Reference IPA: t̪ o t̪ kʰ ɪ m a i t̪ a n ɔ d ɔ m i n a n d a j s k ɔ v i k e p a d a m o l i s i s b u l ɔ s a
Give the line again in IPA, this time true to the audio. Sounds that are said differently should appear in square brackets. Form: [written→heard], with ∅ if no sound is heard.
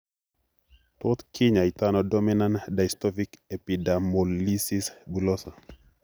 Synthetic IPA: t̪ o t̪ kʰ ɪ [m→ɲ] a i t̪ a n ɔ d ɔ m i n a n d a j s [k→t] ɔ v i k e p [a→i] d a m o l i s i s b u l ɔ s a